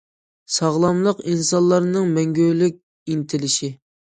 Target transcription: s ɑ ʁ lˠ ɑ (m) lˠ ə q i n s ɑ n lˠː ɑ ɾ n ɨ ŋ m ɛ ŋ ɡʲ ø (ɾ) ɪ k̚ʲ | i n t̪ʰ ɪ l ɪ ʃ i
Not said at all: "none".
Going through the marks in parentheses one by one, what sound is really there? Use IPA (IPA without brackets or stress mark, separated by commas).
m, l